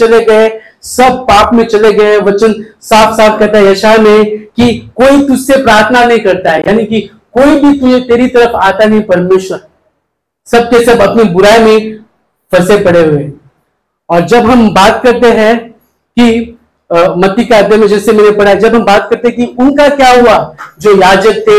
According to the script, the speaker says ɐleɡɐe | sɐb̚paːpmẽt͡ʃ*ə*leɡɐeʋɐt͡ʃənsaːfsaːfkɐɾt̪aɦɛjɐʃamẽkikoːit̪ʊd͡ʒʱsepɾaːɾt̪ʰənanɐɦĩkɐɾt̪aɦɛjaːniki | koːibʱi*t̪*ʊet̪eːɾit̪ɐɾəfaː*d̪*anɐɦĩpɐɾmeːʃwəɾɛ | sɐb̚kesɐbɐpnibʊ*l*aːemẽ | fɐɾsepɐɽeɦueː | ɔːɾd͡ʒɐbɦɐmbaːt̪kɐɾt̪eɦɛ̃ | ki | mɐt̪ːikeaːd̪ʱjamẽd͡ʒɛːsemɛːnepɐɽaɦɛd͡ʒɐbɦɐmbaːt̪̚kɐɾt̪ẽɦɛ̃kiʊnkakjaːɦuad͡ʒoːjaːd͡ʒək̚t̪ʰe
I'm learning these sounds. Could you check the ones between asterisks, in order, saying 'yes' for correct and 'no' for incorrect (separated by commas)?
no, yes, no, no